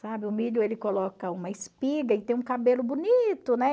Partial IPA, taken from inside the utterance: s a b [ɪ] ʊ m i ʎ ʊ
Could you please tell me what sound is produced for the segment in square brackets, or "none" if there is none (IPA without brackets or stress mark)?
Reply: ɪ